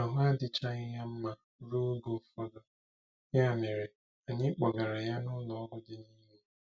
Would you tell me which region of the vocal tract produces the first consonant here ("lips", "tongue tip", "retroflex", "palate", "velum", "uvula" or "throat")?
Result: throat